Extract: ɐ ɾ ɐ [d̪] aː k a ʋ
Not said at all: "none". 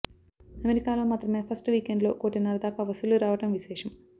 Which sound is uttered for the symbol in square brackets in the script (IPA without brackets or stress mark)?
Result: d̪